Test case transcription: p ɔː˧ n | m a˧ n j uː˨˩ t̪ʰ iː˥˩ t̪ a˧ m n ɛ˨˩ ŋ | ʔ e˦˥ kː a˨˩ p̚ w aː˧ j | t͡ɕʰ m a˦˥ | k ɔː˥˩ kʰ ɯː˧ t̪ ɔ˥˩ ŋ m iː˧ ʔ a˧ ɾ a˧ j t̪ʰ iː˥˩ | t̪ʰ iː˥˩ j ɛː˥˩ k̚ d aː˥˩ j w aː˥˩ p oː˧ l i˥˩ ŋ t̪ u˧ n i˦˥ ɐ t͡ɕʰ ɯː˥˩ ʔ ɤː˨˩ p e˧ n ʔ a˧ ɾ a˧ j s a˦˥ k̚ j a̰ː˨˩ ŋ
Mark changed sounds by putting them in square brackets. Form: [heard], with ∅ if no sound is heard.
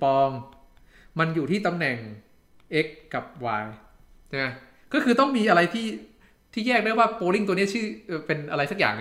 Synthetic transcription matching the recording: p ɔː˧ [ŋ] | m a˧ n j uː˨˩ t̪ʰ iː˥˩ t̪ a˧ m n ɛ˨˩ ŋ | ʔ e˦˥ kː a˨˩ p̚ w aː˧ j | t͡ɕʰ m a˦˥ | k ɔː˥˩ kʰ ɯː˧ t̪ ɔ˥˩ ŋ m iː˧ ʔ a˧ ɾ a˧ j t̪ʰ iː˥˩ | t̪ʰ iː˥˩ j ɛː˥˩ k̚ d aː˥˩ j w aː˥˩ p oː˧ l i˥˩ ŋ t̪ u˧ n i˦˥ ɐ t͡ɕʰ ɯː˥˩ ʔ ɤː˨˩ p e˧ n ʔ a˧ ɾ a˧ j s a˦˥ k̚ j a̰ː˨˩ ŋ